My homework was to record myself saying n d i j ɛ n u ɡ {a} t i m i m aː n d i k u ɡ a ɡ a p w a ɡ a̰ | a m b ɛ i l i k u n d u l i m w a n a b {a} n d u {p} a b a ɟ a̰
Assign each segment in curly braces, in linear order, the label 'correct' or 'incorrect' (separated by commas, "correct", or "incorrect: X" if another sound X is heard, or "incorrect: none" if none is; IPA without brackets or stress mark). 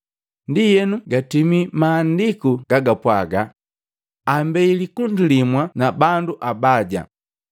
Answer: correct, correct, incorrect: ʔ